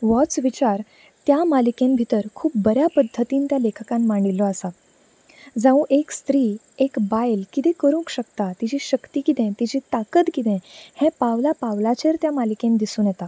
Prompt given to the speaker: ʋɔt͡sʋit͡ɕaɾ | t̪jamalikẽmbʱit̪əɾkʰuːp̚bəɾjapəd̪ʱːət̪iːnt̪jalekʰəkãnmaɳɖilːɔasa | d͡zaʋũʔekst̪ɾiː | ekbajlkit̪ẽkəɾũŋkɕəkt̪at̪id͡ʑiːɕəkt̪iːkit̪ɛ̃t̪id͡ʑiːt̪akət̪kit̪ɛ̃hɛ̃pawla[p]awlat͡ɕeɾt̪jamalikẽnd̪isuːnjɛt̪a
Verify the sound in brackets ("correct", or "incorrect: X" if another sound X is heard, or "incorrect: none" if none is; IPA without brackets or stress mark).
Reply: correct